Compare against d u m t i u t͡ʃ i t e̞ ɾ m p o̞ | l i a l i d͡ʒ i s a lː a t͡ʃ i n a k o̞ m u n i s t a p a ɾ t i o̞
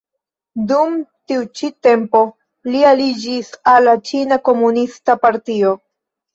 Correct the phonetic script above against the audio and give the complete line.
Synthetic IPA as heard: d u m t i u t͡ʃ i t e̞ m p o̞ | l i a l i d͡ʒ i s a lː a t͡ʃ i n a k o̞ m u n i s t a p a ɾ t i o̞